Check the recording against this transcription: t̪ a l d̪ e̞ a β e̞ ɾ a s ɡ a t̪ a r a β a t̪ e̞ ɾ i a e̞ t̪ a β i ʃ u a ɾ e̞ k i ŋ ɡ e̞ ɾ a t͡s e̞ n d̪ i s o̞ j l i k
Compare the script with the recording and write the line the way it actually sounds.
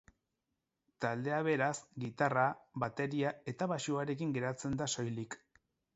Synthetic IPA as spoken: t̪ a l d̪ e̞ a β e̞ ɾ a s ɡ i t̪ a r a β a t̪ e̞ ɾ i a e̞ t̪ a β a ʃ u a ɾ e̞ k i ŋ ɡ e̞ ɾ a t͡s e̞ n d̪ a s o̞ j l i k